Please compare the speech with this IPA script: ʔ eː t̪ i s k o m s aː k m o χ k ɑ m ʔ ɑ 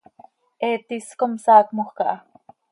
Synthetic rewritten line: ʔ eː t̪ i s k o m s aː k m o χ k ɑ ʔ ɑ